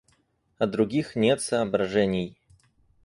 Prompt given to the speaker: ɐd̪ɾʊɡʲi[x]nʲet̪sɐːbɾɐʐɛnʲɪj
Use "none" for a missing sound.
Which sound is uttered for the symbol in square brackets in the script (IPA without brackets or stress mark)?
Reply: x